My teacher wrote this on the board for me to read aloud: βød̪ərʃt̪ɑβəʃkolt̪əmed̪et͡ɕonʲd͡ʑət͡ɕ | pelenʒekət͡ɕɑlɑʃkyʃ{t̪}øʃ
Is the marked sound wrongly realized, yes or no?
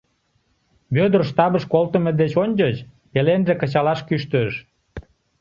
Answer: no